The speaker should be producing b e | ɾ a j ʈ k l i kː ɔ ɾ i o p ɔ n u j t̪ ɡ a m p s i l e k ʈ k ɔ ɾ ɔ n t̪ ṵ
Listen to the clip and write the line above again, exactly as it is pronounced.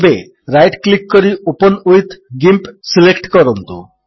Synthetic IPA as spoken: b e | ɾ a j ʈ k l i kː ɔ ɾ i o p ɔ n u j t̪ ɡ i m p s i l e k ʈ k ɔ ɾ ɔ n t̪ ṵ

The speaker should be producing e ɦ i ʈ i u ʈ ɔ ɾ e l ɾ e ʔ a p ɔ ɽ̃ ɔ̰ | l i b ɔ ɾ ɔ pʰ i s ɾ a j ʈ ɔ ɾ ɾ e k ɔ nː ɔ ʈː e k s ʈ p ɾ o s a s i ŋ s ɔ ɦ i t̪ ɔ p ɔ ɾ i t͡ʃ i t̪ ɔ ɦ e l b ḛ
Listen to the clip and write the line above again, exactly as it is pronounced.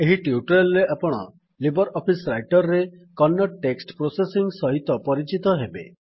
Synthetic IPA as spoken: e ɦ i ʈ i u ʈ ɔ ɾ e l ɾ e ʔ a p ɔ ɽ̃ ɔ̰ | l i b ɔ ɾ ɔ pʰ i s ɾ a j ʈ ɔ ɾ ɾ e k ɔ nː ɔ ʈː e k s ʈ p ɾ o s e s i ŋ s ɔ ɦ i t̪ ɔ p ɔ ɾ i t͡ʃ i t̪ ɔ ɦ e b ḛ

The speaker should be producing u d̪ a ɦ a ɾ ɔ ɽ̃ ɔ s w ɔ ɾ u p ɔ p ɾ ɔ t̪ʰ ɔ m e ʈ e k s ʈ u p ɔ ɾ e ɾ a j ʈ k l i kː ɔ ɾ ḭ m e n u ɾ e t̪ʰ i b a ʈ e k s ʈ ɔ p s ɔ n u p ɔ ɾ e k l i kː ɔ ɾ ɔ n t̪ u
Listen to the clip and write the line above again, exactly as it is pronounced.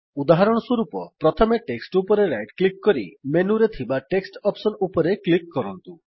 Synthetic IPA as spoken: u d̪ a ɦ a ɾ ɔ ɽ̃ ɔ s w ɔ ɾ u p ɔ p ɾ ɔ t̪ʰ ɔ m e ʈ e k s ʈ u p ɔ ɾ e ɾ a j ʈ k l i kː ɔ ɾ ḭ m e n u ɾ e t̪ʰ i b a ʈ e k s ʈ ɔ p s ɔ n u p ɔ ɾ e k l i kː ɔ ɾ ɔ n t̪ u

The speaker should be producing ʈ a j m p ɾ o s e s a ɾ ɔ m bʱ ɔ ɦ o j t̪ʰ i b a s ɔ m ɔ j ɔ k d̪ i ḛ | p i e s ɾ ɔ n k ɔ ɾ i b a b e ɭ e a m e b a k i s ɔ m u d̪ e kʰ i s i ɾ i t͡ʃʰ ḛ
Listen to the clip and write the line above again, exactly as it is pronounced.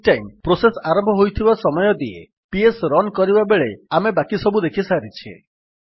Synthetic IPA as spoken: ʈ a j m p ɾ o s e s a ɾ ɔ m bʱ ɔ ɦ o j t̪ʰ i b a s ɔ m ɔ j ɔ d̪ i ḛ | p i e s ɾ ɔ n k ɔ ɾ i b a b e ɭ e a m e b a k i s ɔ b u d̪ e kʰ i s a ɾ i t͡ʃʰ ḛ

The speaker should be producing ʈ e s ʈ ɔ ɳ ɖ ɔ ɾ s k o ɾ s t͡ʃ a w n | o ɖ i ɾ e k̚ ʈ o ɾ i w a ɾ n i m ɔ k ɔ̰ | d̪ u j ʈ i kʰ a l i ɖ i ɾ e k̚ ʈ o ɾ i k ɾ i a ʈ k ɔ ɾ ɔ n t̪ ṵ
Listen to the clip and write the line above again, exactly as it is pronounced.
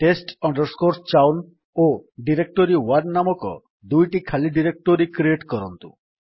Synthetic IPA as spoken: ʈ e s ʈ ɔ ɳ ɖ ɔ ɾ s k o ɾ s t͡ʃ a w n | o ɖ i ɾ e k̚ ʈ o ɾ i w a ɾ n a m ɔ k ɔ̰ | d̪ u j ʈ i kʰ a l i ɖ i ɾ e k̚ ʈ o ɾ i k ɾ i e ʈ k ɔ ɾ ɔ n t̪ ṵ

